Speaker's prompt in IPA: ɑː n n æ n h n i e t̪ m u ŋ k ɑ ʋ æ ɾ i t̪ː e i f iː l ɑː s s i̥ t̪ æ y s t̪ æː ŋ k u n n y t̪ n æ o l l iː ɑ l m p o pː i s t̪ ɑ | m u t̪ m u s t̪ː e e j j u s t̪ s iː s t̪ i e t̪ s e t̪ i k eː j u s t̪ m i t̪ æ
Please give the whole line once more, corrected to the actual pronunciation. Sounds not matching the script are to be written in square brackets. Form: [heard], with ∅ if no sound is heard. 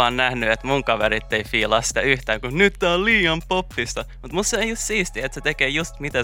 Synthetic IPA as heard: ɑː n n æ [∅] h n [y] e t̪ m u ŋ k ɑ ʋ [e] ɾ i t̪ː e i f iː l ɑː s s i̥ t̪ æ y [h] t̪ æː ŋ k u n n y t̪ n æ o l l iː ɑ [∅] m p o pː i s t̪ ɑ | m u t̪ m u s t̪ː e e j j u s t̪ s iː s t̪ i e t̪ s e t̪ [e] k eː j u s t̪ m i t̪ æ